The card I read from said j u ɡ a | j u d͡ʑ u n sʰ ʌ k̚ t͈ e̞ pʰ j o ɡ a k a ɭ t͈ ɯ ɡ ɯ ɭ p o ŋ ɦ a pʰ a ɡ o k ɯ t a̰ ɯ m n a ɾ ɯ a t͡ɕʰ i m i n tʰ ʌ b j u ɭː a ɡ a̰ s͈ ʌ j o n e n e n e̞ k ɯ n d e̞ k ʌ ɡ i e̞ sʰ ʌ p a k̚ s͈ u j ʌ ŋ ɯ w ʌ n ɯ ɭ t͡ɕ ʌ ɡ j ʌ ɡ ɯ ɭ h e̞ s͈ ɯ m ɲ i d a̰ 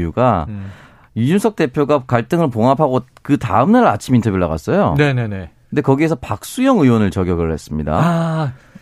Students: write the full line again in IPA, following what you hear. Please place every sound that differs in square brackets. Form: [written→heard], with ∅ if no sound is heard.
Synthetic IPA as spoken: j u ɡ a | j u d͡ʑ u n sʰ ʌ k̚ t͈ e̞ pʰ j o ɡ a k a ɭ t͈ ɯ [ɡ→ŋ] ɯ ɭ p o ŋ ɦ a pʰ a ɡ o k ɯ t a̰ ɯ m n a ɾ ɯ a t͡ɕʰ i m i n tʰ ʌ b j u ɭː a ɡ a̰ s͈ ʌ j o n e n e n e̞ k ɯ n d e̞ k ʌ ɡ i e̞ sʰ ʌ p a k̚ s͈ u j ʌ ŋ ɯ w ʌ n ɯ ɭ t͡ɕ ʌ ɡ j ʌ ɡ ɯ ɭ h e̞ s͈ ɯ m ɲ i d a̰